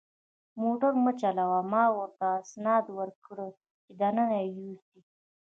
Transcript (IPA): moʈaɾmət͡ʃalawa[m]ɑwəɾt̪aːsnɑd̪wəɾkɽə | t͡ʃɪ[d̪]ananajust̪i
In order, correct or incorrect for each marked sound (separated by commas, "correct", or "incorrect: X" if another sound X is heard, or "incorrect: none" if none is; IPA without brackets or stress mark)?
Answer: correct, correct